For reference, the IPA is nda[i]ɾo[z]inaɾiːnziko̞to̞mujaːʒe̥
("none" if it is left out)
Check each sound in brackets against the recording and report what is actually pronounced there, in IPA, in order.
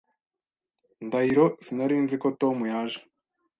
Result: i, s

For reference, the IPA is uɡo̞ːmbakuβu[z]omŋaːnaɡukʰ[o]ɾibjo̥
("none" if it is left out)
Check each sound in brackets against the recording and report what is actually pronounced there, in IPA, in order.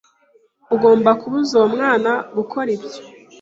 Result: z, o

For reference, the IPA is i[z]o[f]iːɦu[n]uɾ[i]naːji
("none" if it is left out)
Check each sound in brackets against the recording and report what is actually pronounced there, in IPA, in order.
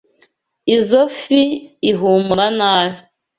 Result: z, f, m, a

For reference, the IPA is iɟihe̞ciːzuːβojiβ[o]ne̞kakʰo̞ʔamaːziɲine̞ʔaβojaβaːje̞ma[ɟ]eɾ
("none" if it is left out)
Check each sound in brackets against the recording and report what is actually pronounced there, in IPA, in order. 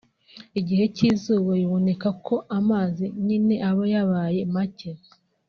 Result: o, c

